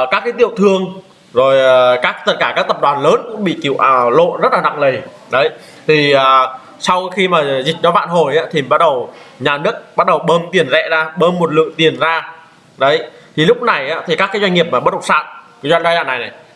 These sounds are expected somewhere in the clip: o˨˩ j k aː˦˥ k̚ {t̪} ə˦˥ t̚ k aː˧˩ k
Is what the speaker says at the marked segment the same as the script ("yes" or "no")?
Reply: yes